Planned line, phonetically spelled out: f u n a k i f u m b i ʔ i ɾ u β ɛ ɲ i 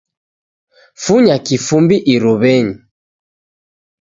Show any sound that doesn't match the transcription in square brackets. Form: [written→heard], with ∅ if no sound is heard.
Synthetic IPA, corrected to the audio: f u [n→ɲ] a k i f u m b i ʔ i ɾ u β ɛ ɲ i